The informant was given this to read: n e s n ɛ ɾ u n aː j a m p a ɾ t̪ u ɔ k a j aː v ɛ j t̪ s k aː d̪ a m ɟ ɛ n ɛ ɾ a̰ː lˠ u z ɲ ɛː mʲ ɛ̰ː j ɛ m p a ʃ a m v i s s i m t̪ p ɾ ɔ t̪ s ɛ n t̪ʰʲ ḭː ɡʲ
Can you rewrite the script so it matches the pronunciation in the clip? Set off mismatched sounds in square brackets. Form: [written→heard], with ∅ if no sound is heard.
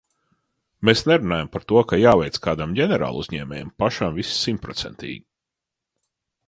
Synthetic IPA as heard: [n→m] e s n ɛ ɾ u n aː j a m p a ɾ t̪ u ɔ k a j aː v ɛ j t̪ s k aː d̪ a m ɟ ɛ n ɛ ɾ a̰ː lˠ u z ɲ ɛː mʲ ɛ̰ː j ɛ m p a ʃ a m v i s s i m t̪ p ɾ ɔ t̪ s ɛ n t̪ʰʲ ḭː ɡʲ